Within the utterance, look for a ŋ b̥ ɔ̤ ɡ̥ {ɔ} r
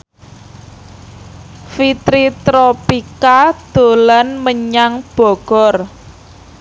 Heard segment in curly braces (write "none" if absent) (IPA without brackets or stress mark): ɔ